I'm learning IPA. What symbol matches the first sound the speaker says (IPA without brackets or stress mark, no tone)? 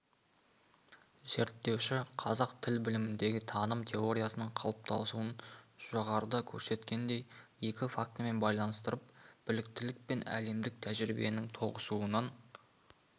z